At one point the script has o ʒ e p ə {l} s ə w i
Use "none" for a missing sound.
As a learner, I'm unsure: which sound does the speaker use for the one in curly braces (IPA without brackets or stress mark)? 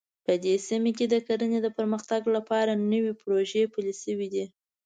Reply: l